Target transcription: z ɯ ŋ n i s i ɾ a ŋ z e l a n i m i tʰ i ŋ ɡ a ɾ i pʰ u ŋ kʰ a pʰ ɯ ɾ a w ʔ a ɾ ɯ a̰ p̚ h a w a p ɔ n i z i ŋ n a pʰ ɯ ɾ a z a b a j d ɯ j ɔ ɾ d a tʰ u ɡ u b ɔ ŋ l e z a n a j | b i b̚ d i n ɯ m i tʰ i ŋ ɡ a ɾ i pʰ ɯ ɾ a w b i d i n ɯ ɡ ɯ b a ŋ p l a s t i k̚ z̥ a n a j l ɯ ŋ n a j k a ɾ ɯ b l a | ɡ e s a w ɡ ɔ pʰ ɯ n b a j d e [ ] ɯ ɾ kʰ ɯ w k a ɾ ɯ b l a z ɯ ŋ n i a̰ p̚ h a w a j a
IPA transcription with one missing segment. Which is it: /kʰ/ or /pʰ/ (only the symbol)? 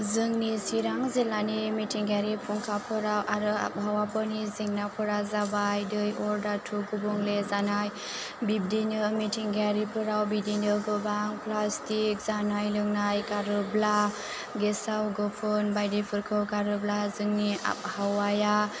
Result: pʰ